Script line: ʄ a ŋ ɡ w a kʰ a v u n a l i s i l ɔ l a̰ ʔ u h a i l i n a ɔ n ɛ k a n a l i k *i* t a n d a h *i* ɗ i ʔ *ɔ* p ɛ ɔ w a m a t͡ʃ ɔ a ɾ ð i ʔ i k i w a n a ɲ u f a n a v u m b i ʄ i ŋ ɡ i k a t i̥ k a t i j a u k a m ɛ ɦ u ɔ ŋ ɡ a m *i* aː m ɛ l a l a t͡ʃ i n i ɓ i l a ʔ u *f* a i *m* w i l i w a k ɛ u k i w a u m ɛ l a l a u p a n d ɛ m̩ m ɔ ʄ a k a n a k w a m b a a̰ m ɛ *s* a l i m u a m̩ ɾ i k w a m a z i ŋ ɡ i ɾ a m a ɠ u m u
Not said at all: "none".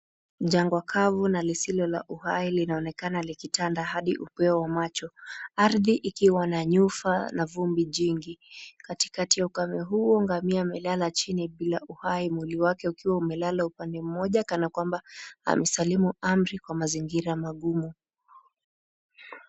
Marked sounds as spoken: i, a, u, i, h, m, s

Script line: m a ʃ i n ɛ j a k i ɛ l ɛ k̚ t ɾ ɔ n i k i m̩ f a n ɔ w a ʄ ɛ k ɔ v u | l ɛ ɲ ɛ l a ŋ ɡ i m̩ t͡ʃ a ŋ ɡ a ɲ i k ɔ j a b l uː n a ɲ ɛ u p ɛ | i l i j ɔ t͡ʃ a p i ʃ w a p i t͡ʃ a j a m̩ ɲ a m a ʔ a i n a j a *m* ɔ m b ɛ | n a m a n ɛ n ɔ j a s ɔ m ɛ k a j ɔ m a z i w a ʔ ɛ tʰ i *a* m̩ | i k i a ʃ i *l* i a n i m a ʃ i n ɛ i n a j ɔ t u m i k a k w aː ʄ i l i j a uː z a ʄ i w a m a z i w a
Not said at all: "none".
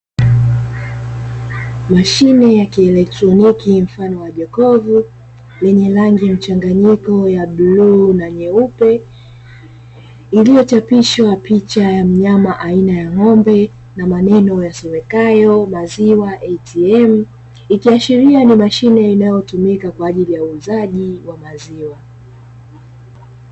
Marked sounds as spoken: ŋ, ɛ, ɾ

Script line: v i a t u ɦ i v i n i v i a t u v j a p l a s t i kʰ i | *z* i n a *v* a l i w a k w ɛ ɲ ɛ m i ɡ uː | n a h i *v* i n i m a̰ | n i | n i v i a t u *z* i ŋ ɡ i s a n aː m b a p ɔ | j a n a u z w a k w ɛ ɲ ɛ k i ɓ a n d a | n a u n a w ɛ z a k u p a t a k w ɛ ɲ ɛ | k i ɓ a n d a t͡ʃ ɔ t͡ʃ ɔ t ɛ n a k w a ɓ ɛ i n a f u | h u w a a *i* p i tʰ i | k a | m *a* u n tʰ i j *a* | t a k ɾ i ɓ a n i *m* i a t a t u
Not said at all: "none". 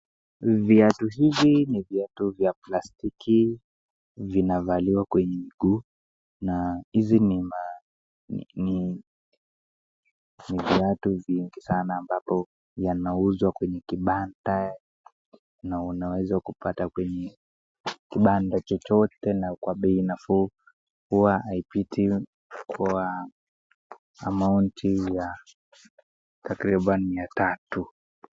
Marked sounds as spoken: v, v, z, v, i, a, a, m

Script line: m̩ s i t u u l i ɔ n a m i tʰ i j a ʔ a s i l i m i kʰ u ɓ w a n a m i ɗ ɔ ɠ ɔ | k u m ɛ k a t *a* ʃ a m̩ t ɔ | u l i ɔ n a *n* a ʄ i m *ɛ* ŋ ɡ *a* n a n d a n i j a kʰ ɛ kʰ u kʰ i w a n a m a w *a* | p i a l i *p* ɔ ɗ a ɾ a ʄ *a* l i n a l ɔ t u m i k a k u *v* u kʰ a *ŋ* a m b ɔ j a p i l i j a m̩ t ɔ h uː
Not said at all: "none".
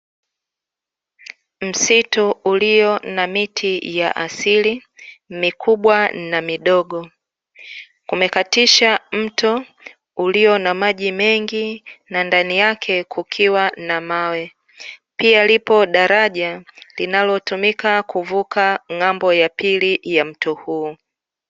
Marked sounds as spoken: i, m, ɛ, i, ɛ, p, a, v, ŋ

